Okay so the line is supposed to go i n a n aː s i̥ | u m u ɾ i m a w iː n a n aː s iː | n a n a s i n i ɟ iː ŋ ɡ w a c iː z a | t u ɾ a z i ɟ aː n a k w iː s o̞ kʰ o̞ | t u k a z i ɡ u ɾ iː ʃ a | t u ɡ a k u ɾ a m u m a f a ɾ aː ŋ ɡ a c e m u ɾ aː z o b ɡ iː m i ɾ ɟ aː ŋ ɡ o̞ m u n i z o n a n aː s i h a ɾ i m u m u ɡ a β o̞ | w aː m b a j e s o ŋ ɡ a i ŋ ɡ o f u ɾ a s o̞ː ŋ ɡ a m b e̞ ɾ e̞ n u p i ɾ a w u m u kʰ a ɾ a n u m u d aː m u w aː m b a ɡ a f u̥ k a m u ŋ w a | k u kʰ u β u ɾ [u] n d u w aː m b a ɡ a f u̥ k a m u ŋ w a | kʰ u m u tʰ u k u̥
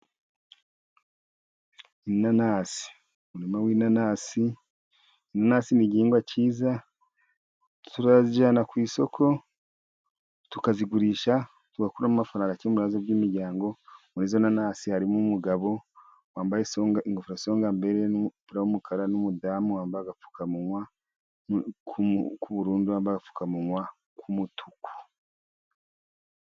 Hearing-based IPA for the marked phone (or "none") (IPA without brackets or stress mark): uː